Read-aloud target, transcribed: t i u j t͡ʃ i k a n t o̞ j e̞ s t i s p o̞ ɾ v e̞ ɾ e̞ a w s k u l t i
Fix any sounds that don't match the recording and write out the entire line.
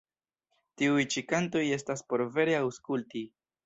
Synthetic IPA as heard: t i u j t͡ʃ i k a n t o̞ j e̞ s t a s p o̞ ɾ v e̞ ɾ e̞ a w s k u l t i